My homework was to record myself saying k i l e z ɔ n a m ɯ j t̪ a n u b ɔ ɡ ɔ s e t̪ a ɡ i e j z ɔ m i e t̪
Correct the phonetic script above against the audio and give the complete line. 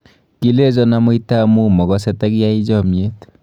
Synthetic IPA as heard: k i l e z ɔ n a m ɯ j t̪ a m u m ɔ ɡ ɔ s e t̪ a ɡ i a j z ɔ m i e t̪